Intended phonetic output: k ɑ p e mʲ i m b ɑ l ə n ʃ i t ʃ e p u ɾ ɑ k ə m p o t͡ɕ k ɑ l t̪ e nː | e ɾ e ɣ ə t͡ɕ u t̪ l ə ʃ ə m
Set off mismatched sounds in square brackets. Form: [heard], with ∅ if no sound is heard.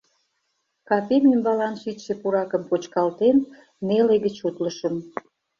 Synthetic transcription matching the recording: k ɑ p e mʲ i m b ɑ l [ɑ] n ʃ i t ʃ e p u ɾ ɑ k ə m p o t͡ɕ k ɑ l t̪ e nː | e [l] e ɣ ə t͡ɕ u t̪ l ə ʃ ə m